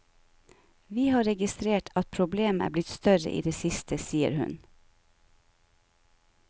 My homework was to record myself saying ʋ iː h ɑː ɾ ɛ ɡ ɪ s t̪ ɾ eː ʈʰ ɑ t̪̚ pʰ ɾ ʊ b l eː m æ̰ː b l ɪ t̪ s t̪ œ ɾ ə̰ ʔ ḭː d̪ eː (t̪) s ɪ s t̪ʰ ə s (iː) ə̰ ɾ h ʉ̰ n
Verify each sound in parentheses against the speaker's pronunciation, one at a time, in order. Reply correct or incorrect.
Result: incorrect, correct

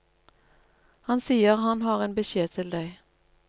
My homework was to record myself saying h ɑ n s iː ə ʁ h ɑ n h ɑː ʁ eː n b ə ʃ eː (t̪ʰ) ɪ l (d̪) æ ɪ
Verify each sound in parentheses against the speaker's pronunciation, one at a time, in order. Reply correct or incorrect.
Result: correct, correct

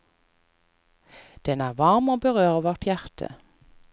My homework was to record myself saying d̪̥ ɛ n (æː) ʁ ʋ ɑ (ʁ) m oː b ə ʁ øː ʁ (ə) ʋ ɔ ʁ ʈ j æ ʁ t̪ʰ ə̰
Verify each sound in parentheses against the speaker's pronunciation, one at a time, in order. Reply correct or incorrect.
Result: correct, correct, correct

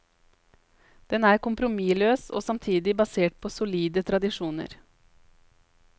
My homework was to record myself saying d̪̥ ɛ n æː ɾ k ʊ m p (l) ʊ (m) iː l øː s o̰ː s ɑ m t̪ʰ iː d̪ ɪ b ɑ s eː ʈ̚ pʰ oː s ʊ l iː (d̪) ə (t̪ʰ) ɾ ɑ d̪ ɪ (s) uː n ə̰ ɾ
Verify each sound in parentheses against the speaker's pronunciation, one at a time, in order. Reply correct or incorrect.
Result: incorrect, correct, correct, correct, incorrect

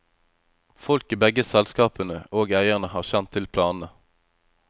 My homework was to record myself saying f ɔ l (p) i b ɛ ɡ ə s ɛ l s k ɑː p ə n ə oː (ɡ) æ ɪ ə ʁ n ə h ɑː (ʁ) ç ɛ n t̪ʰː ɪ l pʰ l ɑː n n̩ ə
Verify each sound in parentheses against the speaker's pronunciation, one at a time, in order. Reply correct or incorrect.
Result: incorrect, correct, correct

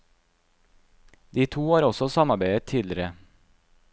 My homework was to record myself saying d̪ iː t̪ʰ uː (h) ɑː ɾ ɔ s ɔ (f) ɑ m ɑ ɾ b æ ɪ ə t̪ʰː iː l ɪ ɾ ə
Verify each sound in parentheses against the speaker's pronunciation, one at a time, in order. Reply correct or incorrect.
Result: correct, incorrect

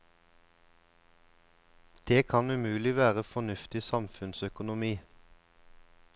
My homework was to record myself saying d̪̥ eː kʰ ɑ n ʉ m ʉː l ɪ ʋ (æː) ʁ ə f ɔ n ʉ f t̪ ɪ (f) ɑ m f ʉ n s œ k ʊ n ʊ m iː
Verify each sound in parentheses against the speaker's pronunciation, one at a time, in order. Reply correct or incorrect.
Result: correct, incorrect

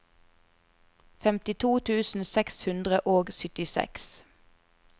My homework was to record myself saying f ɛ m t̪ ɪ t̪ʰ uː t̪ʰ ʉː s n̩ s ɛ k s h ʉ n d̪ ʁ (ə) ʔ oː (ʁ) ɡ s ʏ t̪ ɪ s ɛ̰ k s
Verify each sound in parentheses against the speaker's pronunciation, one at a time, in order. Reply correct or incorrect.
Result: correct, incorrect

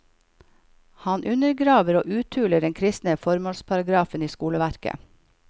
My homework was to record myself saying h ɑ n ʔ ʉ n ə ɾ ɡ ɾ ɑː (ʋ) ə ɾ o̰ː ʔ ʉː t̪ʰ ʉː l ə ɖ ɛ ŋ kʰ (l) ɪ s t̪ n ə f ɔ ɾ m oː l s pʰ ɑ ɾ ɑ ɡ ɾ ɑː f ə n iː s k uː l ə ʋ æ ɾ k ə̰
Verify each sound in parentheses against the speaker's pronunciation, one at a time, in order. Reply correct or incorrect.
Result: correct, incorrect

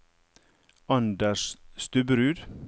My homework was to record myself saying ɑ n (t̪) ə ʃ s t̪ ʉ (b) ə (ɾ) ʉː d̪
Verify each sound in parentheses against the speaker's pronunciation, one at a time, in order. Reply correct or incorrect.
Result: incorrect, correct, correct

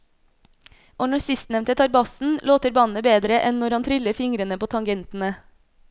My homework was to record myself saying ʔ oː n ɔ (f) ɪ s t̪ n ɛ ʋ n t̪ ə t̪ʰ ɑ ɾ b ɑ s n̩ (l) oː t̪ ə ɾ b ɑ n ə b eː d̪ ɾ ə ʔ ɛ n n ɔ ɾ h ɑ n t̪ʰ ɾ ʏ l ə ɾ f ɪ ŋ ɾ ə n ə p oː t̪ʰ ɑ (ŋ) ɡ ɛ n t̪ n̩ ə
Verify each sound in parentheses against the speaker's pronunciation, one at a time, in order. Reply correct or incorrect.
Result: incorrect, correct, correct

